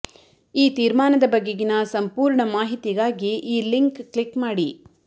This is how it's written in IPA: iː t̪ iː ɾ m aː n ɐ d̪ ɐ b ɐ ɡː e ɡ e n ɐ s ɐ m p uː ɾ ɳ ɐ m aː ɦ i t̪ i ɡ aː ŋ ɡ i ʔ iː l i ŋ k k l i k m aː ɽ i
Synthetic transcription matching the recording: iː t̪ iː ɾ m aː n ɐ d̪ ɐ b ɐ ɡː e ɡ i n ɐ s ɐ m p uː ɾ ɳ ɐ m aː ɦ i t̪ i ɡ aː ɡ i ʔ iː l i ŋ k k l i k m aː ɽ i